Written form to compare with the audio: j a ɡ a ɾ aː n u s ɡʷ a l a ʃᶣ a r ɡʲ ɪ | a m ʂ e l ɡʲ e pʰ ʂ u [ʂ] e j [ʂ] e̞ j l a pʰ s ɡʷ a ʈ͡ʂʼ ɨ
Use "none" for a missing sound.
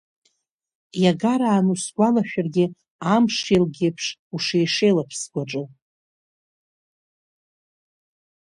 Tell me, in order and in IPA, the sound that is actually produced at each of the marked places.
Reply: ʂ, ʂ

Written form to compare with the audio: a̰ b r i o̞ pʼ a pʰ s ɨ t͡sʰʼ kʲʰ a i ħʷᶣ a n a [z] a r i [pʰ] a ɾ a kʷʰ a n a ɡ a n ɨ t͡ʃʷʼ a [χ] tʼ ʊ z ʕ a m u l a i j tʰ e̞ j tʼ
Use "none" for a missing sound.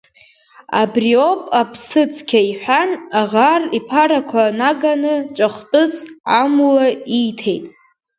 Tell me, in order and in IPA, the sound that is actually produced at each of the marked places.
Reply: ʁ, pʰ, χ

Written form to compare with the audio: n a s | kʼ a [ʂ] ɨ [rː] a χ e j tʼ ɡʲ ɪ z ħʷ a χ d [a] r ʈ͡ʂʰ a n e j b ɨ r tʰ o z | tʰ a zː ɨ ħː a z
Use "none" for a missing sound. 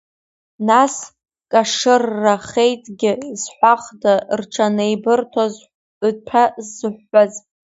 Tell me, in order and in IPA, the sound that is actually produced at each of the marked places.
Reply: ʂ, rː, a

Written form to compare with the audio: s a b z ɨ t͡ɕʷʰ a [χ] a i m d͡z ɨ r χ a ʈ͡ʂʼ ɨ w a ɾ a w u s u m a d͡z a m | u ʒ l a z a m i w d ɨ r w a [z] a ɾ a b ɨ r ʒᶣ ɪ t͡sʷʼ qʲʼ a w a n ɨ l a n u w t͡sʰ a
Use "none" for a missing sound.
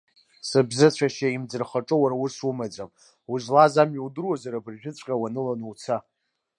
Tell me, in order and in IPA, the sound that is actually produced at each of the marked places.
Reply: ʃ, z

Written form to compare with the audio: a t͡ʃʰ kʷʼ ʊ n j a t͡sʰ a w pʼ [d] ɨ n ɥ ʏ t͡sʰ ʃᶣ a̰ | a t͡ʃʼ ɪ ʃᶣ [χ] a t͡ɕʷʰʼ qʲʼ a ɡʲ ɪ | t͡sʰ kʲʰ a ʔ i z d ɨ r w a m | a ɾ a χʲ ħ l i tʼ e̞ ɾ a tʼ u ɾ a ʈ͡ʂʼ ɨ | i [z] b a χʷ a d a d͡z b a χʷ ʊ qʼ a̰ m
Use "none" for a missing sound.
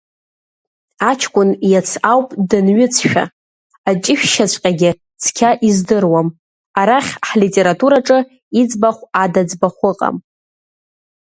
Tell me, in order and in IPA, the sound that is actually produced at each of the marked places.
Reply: d, ʃ, d͡z

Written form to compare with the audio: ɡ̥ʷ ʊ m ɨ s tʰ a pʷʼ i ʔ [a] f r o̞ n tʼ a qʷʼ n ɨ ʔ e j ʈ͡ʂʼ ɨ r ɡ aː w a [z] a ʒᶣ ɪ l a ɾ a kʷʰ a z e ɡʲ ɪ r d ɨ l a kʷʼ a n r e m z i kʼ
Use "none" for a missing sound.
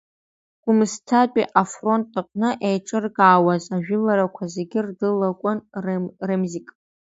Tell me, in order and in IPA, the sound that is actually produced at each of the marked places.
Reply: a, z

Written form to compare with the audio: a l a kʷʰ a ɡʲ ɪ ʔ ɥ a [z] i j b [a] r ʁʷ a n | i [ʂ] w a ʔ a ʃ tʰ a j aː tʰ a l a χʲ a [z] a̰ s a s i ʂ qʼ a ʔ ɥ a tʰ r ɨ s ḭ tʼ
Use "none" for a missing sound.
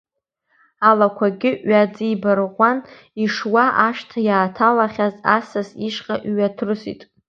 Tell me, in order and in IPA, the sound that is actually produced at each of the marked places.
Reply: d͡z, a, ʂ, z

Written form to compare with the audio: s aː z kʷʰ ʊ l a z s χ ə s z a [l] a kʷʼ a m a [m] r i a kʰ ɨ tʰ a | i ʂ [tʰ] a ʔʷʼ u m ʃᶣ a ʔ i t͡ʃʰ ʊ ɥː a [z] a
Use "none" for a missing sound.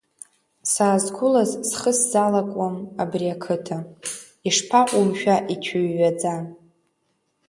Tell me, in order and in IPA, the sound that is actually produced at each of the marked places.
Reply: l, b, pʰ, d͡z

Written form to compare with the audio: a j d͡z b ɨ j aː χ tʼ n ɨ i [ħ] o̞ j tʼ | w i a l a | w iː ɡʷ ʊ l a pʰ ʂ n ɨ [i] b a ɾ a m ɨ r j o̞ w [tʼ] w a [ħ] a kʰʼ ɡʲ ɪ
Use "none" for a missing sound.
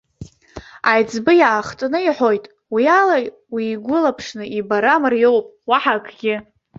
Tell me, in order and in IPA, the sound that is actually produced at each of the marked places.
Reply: ħ, i, pʼ, ħ

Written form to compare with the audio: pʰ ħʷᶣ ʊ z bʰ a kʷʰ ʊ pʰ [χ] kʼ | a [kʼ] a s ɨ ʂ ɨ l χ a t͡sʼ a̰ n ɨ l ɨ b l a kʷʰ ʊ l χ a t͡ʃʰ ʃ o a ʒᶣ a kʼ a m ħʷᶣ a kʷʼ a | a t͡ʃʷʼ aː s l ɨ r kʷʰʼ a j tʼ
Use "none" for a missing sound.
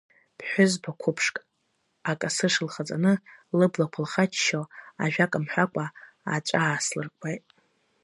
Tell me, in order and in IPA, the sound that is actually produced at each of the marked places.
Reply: ʂ, kʼ

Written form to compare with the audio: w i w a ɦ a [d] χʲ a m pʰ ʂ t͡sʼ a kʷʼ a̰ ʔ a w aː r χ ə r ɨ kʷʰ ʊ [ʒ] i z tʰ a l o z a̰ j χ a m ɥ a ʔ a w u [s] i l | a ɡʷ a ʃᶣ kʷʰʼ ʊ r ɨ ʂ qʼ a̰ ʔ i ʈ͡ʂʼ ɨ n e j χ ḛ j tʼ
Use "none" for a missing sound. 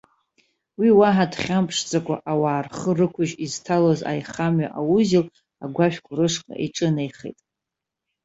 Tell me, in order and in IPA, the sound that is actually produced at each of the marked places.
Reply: d, ʒ, z

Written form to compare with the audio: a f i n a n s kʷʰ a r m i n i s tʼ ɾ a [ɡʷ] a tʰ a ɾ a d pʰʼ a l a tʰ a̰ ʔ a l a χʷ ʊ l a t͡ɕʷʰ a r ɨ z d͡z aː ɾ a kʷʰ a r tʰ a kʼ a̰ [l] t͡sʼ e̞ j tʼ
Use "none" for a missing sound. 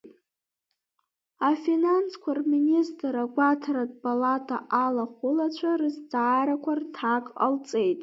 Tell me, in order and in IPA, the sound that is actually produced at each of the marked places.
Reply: ɡʷ, l

